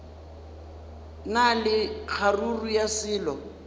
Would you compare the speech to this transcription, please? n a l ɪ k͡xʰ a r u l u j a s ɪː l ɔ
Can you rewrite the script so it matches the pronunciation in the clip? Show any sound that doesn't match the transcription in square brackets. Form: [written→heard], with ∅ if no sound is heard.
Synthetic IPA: n a l ɪ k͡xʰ a r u [l→r] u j a s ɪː l ɔ